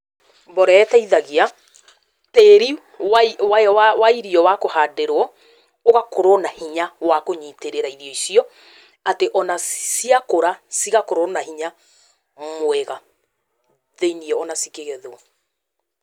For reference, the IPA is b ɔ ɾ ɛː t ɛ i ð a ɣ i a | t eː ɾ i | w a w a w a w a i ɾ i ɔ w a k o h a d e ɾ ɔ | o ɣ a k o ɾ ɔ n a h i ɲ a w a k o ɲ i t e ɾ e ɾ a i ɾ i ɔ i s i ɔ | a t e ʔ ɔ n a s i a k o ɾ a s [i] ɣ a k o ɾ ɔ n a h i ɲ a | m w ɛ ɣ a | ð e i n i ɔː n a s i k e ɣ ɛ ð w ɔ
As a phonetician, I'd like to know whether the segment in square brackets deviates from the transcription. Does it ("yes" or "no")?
no